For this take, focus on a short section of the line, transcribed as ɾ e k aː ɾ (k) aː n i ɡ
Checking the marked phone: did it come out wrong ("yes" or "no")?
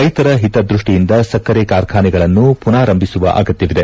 yes